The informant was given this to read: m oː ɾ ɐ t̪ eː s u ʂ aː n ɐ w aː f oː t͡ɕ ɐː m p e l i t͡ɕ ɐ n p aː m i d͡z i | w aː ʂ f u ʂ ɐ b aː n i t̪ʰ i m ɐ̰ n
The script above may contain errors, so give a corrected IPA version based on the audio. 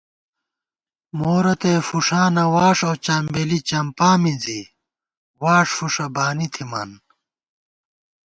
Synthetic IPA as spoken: m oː ɾ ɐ t̪ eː f u ʂ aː n ɐ w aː ʂ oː t͡ɕ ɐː m b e l i t͡ɕ ɐ m p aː m i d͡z i | w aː ʂ f u ʂ ɐ b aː n i t̪ʰ i m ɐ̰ n